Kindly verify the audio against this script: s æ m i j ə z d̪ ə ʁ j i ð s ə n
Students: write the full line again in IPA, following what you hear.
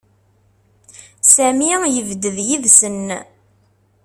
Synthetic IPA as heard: s æ m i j ə v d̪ ə ð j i ð s ə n